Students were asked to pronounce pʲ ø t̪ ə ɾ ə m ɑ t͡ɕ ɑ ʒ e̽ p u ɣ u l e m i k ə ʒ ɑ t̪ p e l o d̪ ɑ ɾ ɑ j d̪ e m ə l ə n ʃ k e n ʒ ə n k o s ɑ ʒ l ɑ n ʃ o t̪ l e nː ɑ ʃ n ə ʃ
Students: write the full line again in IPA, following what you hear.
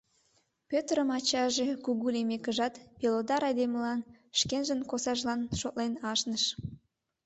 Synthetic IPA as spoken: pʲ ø t̪ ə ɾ ə m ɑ t͡ɕ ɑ ʒ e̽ k u ɣ u l e m e k ə ʒ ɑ t̪ p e l o d̪ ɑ ɾ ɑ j d̪ e m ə l ɑ n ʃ k e n ʒ ə n k o s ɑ ʒ l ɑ n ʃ o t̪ l e n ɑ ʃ n ə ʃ